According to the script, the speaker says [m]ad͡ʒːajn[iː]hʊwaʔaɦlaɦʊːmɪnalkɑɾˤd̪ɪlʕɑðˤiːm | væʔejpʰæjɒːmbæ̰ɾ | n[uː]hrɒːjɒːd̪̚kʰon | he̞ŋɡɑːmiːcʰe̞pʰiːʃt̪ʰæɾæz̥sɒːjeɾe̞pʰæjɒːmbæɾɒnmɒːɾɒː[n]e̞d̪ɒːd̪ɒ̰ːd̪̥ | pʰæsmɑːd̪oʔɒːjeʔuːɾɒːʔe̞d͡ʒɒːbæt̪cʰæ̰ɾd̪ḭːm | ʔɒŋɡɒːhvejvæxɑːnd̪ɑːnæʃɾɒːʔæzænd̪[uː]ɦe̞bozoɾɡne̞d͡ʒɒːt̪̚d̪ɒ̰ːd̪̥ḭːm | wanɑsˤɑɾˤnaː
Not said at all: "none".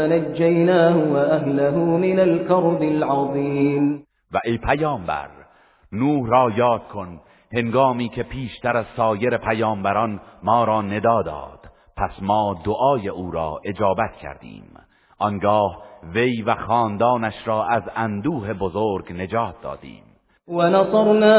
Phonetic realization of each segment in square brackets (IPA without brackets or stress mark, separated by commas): n, aː, uː, n, uː